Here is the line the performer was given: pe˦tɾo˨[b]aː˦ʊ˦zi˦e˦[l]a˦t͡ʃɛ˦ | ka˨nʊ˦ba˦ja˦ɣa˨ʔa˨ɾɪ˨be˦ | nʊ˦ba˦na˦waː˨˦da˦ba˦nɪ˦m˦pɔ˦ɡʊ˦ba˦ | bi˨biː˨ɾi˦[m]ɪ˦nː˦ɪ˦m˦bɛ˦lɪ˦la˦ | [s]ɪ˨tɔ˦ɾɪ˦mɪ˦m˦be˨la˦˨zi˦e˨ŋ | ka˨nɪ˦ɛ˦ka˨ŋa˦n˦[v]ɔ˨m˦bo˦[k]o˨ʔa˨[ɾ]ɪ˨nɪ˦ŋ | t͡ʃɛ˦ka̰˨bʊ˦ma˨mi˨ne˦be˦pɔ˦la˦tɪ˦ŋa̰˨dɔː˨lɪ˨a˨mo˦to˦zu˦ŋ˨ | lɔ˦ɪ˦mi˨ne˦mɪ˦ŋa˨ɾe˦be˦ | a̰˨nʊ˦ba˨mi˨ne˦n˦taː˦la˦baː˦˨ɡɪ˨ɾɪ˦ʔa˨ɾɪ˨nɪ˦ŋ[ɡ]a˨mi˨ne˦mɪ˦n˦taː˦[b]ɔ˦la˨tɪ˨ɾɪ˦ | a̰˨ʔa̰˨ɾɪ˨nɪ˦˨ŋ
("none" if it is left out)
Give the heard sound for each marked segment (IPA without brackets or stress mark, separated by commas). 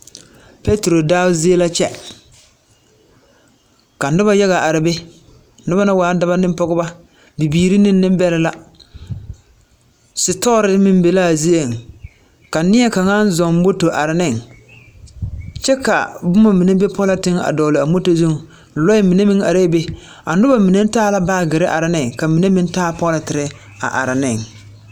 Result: d, l, n, s, z, t, ɾ, k, p